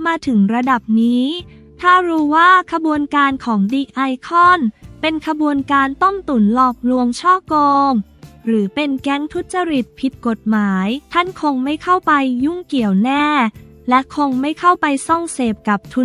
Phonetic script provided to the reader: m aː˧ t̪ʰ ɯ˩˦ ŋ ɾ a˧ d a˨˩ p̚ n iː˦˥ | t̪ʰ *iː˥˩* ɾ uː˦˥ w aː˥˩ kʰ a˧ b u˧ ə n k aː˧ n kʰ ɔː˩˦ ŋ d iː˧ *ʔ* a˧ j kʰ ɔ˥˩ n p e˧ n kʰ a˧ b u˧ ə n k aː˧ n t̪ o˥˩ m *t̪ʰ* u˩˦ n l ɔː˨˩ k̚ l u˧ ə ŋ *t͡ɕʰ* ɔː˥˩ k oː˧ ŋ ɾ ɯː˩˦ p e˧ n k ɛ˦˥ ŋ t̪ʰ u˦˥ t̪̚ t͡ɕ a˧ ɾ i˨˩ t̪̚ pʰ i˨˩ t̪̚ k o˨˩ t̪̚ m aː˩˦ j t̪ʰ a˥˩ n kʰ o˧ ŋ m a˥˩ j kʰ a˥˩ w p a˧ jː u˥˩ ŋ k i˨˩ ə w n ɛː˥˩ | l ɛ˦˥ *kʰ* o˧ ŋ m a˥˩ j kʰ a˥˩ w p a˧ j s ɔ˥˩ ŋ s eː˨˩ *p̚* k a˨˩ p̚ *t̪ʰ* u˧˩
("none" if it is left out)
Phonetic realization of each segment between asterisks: aː˥˩, ʔ, t̪, t͡ɕʰ, kʰ, p̚, t̪ʰ

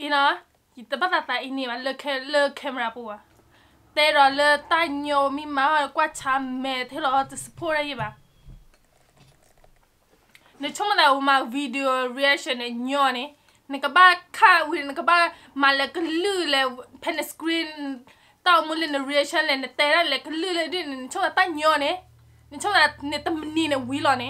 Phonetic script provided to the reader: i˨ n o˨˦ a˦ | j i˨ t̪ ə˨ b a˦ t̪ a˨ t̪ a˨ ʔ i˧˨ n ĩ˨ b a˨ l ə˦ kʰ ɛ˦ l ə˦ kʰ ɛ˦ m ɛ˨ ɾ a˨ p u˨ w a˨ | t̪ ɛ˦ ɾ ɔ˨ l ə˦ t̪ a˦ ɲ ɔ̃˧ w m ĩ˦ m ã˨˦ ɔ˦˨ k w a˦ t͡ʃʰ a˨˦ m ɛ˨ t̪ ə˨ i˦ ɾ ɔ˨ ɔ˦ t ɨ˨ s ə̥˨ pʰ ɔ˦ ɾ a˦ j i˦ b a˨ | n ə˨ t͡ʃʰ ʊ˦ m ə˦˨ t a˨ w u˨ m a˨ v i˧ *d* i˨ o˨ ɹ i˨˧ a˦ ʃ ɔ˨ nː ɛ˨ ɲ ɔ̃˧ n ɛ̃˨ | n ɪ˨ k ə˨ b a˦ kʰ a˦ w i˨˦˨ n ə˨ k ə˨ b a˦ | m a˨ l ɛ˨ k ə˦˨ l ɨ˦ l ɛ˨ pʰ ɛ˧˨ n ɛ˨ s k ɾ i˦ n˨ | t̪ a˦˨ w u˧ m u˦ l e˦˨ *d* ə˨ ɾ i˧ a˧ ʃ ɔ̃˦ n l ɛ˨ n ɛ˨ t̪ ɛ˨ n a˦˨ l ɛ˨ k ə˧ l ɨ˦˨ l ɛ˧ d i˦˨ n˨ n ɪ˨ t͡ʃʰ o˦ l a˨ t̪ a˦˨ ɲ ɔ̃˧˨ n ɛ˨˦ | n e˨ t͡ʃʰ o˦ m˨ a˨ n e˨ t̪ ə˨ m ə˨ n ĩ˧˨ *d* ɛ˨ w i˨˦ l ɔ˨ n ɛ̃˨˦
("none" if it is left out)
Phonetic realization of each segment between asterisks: d, n, n

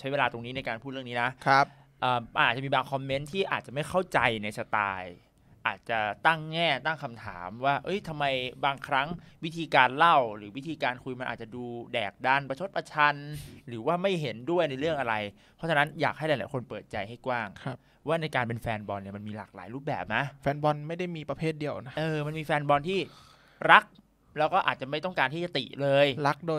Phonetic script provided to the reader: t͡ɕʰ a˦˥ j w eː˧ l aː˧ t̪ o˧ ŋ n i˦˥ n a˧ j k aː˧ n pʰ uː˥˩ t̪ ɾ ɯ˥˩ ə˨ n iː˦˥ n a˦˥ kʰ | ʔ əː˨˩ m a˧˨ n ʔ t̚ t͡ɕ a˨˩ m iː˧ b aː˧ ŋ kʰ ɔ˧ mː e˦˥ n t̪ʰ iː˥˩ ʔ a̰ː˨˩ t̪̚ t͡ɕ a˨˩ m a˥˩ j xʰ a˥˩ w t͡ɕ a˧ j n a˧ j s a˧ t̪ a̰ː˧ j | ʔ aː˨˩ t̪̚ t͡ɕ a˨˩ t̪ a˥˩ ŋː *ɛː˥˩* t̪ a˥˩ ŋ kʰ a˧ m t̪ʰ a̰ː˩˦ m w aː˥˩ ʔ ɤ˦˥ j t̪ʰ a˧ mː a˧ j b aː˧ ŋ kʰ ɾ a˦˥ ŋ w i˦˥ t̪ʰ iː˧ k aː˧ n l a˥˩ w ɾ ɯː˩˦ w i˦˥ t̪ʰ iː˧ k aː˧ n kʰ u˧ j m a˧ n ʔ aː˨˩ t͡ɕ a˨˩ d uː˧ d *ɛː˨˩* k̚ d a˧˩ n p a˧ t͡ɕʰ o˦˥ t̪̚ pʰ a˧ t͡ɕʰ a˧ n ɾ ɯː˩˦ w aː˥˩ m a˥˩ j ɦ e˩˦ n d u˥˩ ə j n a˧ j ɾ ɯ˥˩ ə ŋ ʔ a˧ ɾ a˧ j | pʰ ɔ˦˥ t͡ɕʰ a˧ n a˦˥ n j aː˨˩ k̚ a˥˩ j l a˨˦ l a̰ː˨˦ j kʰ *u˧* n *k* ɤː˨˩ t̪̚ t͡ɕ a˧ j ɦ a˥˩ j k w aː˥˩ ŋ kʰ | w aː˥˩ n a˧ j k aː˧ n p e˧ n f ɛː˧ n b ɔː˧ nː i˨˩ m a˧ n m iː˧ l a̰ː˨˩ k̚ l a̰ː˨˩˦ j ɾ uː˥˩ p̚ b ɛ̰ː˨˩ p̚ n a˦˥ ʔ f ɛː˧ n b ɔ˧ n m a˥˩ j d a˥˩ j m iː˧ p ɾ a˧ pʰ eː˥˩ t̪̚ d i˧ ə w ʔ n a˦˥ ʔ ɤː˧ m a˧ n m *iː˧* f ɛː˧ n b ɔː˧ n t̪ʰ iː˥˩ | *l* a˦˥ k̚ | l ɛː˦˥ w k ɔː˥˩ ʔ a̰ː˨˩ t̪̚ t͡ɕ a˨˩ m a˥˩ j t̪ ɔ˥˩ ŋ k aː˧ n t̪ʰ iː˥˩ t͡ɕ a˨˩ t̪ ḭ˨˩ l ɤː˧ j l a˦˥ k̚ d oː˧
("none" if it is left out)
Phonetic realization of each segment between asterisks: ɛː˥˩, ɛː˨˩, o˧, p, iː˧, ɾ

